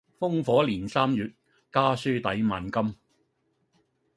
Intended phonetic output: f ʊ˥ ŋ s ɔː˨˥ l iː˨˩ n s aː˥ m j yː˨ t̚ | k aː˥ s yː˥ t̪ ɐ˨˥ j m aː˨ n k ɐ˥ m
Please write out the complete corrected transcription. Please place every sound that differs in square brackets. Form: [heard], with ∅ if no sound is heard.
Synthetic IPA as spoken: f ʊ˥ ŋ [f] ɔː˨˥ l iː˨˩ n s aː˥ m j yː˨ t̚ | k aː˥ s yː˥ t̪ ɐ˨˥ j m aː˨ n k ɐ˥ m